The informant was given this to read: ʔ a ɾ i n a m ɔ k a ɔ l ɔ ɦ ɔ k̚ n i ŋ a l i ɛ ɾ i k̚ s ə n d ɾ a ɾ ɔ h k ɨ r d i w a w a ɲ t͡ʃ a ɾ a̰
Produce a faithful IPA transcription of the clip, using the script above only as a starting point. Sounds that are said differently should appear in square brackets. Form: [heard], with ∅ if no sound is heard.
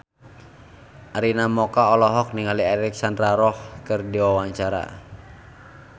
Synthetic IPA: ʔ a ɾ i n a m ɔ k a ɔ l ɔ ɦ ɔ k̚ n i ŋ a l i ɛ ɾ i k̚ s [a] n d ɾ a ɾ ɔ h k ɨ r d i w a w a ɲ t͡ʃ a ɾ a̰